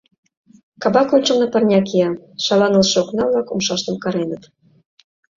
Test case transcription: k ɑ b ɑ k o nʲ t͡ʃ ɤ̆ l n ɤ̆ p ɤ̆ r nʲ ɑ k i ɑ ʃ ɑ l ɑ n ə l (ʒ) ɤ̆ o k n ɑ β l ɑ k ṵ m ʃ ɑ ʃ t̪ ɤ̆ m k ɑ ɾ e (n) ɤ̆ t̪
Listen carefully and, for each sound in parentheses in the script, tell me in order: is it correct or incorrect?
incorrect, correct

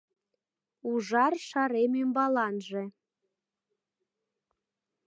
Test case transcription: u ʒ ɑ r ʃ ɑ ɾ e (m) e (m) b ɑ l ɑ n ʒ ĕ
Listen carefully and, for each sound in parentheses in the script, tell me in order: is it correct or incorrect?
correct, correct

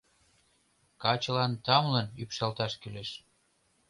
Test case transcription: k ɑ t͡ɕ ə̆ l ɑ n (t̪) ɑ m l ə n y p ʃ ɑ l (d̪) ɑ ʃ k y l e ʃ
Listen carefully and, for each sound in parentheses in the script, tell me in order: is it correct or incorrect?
correct, incorrect

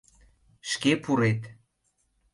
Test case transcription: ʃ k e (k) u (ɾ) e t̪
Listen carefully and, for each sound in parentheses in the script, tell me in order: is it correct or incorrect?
incorrect, correct

